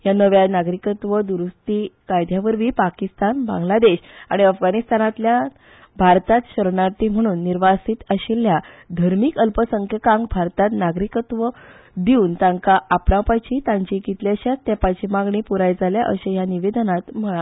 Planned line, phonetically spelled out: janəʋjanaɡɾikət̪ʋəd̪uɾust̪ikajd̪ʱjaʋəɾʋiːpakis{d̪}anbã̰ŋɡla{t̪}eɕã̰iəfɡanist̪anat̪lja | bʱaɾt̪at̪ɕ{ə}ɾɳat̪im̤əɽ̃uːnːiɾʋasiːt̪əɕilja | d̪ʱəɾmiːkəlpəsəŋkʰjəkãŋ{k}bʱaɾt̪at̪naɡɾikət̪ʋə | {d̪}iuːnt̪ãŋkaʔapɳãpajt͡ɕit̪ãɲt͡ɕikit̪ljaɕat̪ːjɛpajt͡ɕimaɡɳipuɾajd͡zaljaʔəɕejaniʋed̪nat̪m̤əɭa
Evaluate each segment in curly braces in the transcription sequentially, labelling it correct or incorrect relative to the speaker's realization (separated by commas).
incorrect, incorrect, correct, incorrect, correct